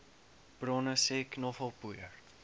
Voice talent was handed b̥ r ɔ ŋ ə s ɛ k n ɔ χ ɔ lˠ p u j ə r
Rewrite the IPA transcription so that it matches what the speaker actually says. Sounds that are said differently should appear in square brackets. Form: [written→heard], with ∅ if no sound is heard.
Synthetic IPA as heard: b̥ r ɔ [ŋ→n] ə s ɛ k n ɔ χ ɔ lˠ p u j ə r